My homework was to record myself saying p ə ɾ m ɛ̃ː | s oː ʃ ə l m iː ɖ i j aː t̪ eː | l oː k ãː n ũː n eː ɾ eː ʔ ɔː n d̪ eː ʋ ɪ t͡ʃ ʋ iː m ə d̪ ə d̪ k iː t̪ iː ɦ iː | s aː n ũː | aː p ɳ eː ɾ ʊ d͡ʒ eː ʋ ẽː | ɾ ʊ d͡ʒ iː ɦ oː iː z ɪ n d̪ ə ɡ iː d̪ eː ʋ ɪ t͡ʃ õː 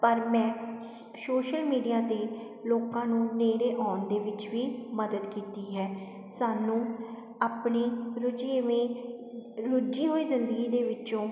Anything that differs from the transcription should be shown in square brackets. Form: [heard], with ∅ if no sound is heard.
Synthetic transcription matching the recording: p ə ɾ m ɛ̃ː | s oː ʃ ə l m iː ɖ i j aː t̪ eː | l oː k ãː n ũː n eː ɾ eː ʔ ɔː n d̪ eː ʋ ɪ t͡ʃ ʋ iː m ə d̪ ə d̪ k iː t̪ iː ɦ [ɛː] | s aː n ũː | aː p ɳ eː ɾ ʊ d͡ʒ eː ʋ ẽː | ɾ ʊ d͡ʒ iː ɦ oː iː z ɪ n d̪ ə ɡ iː d̪ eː ʋ ɪ t͡ʃ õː